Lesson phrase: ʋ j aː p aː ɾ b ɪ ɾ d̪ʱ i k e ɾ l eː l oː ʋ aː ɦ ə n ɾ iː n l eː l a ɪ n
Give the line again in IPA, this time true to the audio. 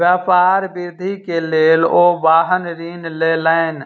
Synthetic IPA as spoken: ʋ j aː p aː ɾ b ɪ ɾ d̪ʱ i k e l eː l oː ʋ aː ɦ ə n ɾ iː n l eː l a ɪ n